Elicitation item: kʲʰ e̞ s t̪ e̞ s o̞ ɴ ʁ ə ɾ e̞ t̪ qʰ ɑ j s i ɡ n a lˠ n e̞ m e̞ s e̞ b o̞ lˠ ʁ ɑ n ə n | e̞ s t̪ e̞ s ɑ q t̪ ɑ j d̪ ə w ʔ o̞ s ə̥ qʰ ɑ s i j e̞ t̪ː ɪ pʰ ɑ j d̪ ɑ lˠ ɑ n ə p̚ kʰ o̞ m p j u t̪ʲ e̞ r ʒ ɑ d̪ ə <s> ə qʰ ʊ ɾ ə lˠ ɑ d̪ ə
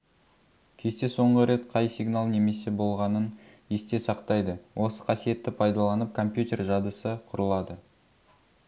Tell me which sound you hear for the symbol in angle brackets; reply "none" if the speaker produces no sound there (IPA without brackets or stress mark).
s